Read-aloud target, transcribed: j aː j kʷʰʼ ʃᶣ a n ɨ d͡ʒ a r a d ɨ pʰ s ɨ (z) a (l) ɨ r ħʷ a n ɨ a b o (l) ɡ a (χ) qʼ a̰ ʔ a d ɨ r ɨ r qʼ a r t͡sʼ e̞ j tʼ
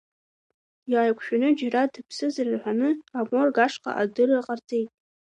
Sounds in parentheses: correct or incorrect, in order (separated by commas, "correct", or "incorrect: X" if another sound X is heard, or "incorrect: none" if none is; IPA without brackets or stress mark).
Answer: correct, incorrect: r, incorrect: r, incorrect: ʂ